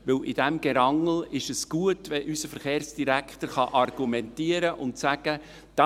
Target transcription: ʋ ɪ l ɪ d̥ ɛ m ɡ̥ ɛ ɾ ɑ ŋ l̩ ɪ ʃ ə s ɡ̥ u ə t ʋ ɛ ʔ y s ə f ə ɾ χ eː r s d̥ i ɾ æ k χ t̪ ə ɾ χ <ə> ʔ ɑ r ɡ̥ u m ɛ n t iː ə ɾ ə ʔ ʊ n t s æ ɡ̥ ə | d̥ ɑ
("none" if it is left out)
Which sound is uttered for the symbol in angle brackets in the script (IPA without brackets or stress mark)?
ɑ